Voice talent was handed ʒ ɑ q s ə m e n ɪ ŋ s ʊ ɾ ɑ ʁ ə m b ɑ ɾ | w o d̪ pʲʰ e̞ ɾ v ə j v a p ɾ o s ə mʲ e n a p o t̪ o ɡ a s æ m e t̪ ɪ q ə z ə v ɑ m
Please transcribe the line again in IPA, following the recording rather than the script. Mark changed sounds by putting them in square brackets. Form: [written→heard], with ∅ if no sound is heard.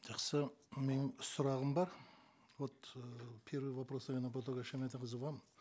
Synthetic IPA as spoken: ʒ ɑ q s ə m e n ɪ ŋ s ʊ ɾ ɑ ʁ ə m b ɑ ɾ | w o [d̪→t̪] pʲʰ e̞ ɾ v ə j v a p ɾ o s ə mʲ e n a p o t̪ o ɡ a [s→ʃ] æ m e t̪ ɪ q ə z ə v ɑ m